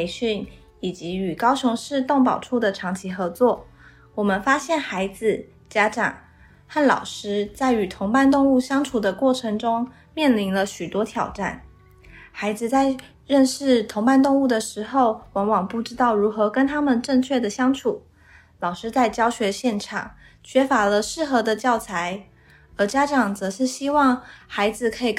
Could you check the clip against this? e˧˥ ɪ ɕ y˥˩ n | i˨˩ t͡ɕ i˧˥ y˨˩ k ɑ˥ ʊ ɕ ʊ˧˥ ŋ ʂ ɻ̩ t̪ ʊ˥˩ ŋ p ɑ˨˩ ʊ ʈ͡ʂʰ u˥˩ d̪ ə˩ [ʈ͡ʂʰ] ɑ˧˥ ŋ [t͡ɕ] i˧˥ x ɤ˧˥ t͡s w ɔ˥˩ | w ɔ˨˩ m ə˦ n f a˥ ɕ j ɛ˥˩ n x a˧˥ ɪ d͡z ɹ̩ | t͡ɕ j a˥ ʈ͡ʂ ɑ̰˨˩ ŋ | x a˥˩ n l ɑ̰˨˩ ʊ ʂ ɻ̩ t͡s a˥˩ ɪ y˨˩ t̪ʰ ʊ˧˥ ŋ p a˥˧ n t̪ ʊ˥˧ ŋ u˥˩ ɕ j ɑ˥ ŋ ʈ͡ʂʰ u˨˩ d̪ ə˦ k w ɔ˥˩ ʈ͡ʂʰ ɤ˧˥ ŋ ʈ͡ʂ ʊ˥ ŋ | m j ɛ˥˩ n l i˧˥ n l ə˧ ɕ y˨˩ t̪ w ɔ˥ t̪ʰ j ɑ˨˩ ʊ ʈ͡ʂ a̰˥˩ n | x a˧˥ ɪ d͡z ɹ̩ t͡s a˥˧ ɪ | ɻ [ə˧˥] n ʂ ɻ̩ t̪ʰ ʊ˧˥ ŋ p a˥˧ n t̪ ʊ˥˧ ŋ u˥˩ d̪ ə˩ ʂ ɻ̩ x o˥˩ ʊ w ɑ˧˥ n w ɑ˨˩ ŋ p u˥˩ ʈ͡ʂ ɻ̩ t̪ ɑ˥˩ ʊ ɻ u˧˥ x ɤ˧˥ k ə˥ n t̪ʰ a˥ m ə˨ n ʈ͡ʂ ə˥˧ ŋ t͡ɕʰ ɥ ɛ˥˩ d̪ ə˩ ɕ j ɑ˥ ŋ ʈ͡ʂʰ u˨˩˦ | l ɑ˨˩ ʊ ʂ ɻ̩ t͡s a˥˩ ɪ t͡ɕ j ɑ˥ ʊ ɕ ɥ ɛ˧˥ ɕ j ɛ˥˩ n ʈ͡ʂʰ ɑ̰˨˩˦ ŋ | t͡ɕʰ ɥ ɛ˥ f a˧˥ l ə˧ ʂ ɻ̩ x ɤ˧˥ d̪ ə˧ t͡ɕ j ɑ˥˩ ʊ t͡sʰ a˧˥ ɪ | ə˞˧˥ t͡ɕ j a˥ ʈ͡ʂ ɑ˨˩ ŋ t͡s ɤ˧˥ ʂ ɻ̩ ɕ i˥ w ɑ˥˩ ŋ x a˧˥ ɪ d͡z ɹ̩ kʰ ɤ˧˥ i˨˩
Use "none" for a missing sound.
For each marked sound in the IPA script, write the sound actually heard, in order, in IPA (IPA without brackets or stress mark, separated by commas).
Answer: ʈ͡ʂʰ, t͡ɕʰ, ə˥˧